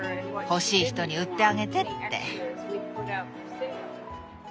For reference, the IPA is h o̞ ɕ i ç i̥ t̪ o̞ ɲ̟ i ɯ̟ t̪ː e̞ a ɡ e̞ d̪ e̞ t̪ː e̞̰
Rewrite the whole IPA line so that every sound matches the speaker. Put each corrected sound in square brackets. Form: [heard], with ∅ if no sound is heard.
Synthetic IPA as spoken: h o̞ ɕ [iː] ç i̥ t̪ o̞ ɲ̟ i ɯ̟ t̪ː e̞ a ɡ e̞ [t̪] e̞ t̪ː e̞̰